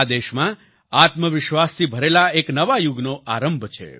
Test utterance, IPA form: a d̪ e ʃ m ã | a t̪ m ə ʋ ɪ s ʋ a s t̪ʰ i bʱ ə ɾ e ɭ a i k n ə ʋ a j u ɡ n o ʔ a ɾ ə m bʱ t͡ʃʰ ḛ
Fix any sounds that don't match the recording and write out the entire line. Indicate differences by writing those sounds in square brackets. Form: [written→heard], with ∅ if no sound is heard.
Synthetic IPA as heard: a d̪ e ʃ m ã | a t̪ m ə ʋ ɪ [s→ʃ] ʋ a s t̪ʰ i bʱ ə ɾ e [ɭ→l] a [i→e] k n ə ʋ a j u ɡ n o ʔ a ɾ ə m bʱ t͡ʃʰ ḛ